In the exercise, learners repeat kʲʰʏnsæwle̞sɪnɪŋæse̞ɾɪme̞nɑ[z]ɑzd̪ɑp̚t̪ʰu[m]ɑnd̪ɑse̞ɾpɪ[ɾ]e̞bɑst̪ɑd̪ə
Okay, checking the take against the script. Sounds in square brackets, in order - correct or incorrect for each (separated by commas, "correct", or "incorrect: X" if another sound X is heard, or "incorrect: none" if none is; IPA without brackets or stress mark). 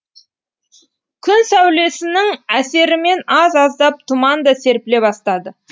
correct, correct, incorrect: l